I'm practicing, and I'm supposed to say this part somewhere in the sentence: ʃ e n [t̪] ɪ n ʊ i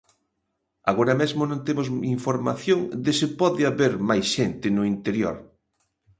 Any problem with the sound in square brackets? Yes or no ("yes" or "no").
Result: no